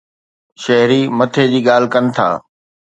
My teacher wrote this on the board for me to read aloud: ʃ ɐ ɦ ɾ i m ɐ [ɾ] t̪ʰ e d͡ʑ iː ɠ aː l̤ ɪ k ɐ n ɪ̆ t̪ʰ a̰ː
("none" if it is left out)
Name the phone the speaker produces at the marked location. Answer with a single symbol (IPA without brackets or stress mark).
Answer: none